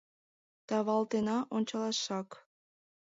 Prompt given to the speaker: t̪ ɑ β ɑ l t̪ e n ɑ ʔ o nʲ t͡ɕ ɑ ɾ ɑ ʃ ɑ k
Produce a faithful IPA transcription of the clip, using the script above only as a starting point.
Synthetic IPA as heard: t̪ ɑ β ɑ l t̪ e n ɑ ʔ o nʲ t͡ɕ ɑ l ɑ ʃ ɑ k